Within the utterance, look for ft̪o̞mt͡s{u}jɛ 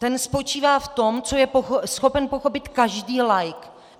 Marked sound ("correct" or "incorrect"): incorrect